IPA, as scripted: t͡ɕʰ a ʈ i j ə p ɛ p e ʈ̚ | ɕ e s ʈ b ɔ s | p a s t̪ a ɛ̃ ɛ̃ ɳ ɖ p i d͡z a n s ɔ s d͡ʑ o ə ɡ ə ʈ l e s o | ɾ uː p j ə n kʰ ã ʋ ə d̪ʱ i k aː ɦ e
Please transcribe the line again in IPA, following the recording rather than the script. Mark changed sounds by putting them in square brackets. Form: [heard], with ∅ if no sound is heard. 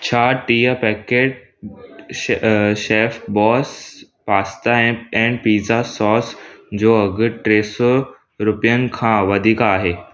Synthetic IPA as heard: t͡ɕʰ a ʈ i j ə p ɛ [k] e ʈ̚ | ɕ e [f] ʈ b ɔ s | p a s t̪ a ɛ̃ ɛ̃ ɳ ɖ p i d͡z a [∅] s ɔ s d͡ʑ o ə ɡ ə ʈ [ɾ] e s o | ɾ [u] p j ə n kʰ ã ʋ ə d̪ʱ i k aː ɦ e

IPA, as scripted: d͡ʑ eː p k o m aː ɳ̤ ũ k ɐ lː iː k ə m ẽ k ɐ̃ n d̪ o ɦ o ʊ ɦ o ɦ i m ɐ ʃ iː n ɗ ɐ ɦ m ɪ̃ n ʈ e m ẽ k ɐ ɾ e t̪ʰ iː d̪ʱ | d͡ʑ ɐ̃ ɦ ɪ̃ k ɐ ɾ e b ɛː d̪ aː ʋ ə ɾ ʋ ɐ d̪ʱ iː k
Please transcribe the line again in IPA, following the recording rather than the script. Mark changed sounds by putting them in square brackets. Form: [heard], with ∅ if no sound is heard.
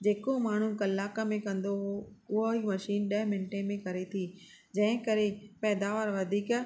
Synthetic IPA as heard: d͡ʑ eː [∅] k o m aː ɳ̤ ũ k ɐ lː [aː] k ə m ẽ k ɐ̃ n d̪ o ɦ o ʊ ɦ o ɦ i m ɐ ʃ iː n ɗ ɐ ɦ m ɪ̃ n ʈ e m ẽ k ɐ ɾ e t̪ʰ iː [∅] | d͡ʑ ɐ̃ ɦ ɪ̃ k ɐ ɾ e [p] ɛː d̪ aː ʋ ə ɾ ʋ ɐ d̪ʱ iː k

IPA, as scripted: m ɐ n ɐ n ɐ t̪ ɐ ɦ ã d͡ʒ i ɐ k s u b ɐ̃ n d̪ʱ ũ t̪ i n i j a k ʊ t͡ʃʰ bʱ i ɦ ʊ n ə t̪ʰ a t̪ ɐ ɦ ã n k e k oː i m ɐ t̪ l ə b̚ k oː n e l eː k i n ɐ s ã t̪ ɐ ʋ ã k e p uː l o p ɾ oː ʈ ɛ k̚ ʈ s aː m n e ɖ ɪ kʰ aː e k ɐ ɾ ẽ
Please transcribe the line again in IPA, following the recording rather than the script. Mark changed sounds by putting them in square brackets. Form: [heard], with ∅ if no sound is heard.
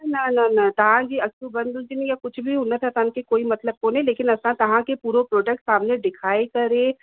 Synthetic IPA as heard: [n] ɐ n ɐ n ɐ t̪ ɐ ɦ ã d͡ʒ i ɐ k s u b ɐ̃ n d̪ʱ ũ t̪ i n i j a k ʊ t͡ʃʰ bʱ i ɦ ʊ n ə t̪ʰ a t̪ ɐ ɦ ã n k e k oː i m ɐ t̪ l ə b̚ k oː n e l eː k [ɪ] n ɐ s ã t̪ ɐ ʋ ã k e p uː [ɾ] o p ɾ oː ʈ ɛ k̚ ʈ s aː m n e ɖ ɪ kʰ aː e k ɐ ɾ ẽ

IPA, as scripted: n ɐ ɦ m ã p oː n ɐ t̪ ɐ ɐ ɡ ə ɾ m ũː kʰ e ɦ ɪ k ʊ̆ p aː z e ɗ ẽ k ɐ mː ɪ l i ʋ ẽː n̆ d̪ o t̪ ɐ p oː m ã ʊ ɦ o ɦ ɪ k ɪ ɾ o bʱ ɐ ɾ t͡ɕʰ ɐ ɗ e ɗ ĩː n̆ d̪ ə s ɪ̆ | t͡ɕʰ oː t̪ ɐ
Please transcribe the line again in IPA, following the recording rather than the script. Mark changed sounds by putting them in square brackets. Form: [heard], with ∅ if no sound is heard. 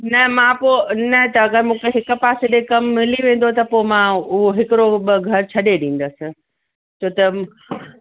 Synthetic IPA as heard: n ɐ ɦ m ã p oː n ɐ t̪ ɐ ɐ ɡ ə ɾ m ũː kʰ e ɦ ɪ k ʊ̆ p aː [s] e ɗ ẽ k ɐ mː ɪ l i ʋ ẽː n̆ d̪ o t̪ ɐ p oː m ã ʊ ɦ o ɦ ɪ k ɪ ɾ o [ɡʱ] ɐ ɾ t͡ɕʰ ɐ ɗ e ɗ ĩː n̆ d̪ ə s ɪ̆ | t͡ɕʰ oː t̪ ɐ

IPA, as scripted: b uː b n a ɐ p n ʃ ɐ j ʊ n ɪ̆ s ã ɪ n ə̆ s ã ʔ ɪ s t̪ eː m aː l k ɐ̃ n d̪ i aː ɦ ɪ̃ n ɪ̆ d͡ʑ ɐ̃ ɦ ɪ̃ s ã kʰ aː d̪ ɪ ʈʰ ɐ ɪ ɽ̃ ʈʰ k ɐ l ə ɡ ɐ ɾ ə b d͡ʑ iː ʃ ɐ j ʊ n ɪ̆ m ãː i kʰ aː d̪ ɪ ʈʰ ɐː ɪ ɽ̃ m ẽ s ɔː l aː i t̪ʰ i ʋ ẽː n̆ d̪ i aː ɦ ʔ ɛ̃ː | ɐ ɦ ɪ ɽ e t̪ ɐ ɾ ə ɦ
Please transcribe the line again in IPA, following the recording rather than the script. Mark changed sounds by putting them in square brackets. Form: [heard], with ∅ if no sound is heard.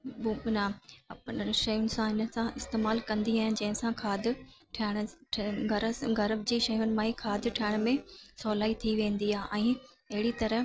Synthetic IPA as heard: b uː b n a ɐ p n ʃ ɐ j ʊ n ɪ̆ s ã ɪ n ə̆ s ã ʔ ɪ s t̪ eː m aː l k ɐ̃ n d̪ i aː ɦ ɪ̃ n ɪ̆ d͡ʑ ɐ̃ ɦ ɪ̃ s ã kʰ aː d̪ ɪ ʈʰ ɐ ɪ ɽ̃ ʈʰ [ɡ] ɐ [ɾ] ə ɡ ɐ ɾ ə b d͡ʑ iː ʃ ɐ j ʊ n ɪ̆ m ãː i kʰ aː d̪ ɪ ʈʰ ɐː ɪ ɽ̃ m ẽ s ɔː l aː i t̪ʰ i ʋ ẽː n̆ d̪ i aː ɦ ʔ ɛ̃ː | ɐ ɦ ɪ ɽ [i] t̪ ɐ ɾ ə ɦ

